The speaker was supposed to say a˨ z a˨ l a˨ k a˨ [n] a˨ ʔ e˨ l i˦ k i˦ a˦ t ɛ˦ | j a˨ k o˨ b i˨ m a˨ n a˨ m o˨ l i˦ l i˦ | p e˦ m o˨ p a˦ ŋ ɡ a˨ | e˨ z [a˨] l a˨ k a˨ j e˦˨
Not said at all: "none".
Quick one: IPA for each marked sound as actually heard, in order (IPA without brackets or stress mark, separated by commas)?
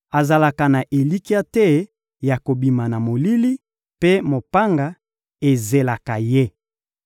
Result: n, e˨